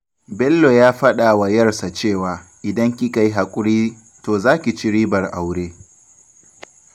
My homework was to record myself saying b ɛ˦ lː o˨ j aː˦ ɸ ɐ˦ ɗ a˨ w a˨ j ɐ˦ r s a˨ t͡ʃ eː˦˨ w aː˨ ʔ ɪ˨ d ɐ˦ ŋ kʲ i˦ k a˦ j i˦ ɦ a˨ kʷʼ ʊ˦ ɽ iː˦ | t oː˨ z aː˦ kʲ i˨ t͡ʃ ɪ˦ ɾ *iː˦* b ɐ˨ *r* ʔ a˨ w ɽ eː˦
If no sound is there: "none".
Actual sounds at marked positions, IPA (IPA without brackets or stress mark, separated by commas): iː˦, r